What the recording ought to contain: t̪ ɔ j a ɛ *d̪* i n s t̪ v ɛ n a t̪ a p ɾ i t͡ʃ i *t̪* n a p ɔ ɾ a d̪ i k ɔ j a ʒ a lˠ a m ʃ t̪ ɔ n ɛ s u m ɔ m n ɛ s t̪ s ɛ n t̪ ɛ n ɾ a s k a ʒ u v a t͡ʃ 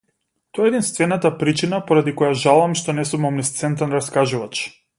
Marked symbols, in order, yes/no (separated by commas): yes, no